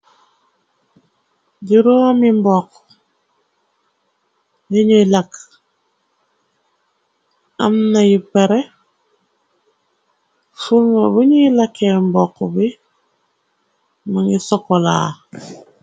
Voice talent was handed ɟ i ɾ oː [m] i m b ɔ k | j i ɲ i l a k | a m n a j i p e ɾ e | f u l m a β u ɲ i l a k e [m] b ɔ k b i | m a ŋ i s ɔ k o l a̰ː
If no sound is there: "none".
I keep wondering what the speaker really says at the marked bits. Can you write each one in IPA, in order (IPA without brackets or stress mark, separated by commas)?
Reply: m, m